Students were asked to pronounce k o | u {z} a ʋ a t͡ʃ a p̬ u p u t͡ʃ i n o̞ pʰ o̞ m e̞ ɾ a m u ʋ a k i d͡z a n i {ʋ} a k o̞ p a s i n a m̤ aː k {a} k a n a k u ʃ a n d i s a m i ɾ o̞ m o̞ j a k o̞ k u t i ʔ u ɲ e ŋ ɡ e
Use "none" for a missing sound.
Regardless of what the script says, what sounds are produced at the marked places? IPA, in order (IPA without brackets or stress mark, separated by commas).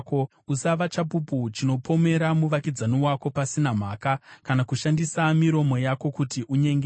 s, w, a